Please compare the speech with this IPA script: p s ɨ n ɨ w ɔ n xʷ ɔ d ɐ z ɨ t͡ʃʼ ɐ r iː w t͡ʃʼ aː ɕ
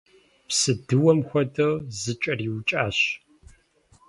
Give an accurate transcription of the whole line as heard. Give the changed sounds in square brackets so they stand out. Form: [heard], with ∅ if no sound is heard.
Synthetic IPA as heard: p s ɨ [d] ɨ w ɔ [m] xʷ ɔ d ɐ z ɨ t͡ʃʼ ɐ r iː w t͡ʃʼ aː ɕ